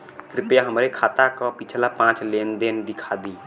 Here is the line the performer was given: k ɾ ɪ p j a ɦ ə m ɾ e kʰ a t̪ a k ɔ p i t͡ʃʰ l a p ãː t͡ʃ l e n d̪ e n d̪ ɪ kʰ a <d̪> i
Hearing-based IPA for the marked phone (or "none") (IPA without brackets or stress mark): d̪